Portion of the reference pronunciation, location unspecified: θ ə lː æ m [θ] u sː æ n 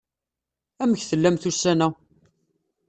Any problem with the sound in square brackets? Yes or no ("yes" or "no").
no